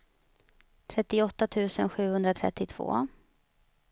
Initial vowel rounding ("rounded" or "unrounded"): unrounded